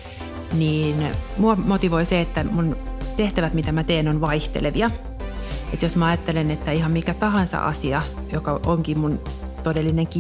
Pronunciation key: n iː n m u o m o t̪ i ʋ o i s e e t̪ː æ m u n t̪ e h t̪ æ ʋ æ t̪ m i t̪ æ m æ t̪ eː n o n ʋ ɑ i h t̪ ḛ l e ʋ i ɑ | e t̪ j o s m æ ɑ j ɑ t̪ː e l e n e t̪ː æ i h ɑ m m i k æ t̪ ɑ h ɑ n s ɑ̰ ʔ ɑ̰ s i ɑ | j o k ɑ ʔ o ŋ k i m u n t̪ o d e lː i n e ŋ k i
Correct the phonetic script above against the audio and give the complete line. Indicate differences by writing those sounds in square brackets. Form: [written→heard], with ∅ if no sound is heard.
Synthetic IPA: n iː n m u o m o t̪ i ʋ o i s e e t̪ː æ m u n t̪ e h t̪ æ ʋ æ t̪ m i t̪ æ m æ t̪ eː n o n ʋ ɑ i h t̪ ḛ l e ʋ i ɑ | e t̪ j o s m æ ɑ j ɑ t̪ː e l e n e t̪ː æ i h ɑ m m i k æ t̪ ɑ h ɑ n s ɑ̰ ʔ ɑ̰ s i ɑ | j o k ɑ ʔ o ŋ k i m u n t̪ o d e lː i n e ŋ k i